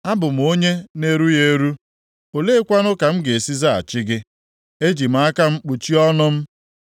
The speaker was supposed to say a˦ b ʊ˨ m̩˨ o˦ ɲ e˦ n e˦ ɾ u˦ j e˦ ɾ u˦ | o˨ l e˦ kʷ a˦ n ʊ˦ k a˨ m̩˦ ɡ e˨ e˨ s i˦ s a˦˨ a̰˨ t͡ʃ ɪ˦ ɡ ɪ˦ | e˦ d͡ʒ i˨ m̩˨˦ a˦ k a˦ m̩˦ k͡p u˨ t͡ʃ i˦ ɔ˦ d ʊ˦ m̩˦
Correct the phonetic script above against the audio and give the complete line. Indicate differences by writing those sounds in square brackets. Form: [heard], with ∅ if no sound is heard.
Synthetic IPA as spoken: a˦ b ʊ˨ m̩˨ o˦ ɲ e˦ n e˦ ɾ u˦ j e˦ ɾ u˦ | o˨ l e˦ kʷ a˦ n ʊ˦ k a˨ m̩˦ ɡ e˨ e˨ s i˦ [z] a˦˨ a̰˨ t͡ʃ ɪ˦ ɡ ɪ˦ | e˦ d͡ʒ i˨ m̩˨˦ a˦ k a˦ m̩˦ k͡p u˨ t͡ʃ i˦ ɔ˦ [n] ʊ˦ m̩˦